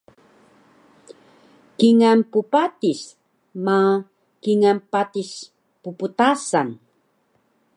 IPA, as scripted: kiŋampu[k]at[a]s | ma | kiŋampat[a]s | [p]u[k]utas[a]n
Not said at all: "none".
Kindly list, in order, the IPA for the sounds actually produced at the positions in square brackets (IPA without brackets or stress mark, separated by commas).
p, i, i, p, p, a